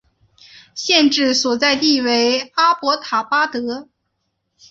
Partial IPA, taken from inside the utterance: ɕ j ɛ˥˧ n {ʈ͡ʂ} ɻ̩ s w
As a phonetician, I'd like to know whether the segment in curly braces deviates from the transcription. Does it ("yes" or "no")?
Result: no